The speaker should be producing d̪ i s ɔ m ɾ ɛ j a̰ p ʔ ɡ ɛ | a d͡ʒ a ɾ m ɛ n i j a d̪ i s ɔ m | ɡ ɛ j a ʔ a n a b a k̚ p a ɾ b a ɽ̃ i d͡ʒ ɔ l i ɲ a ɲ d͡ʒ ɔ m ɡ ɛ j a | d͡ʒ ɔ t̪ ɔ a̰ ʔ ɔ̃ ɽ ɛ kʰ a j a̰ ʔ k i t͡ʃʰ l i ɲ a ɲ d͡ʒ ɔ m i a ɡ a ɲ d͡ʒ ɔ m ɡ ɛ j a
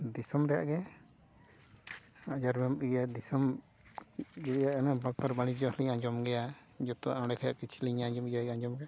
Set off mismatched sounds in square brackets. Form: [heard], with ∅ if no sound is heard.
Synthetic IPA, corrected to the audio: d̪ i s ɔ m ɾ ɛ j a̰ [∅] ʔ ɡ ɛ | a d͡ʒ a ɾ m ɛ [m] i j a d̪ i s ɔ m | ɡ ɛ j a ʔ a n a b a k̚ p a ɾ b a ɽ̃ i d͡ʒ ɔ l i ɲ a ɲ d͡ʒ ɔ m ɡ ɛ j a | d͡ʒ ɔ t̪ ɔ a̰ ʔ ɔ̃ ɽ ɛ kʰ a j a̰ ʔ k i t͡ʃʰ l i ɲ a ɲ d͡ʒ ɔ m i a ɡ a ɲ d͡ʒ ɔ m ɡ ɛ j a